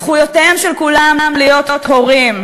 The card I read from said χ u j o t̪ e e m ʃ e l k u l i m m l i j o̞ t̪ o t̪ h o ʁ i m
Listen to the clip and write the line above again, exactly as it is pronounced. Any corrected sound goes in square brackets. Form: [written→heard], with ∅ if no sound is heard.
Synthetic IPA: χ u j o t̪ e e m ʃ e l k u l [i→a] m m l i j o̞ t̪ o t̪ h o ʁ i m